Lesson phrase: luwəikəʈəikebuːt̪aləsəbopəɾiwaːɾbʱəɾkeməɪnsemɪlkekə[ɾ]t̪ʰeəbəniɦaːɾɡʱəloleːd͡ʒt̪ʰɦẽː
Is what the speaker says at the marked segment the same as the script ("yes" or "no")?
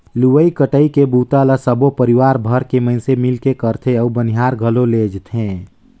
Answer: yes